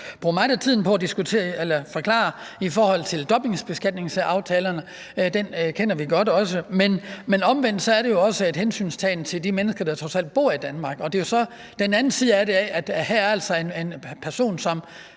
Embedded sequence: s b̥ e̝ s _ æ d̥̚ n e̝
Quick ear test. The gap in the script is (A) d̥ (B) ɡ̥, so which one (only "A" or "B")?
B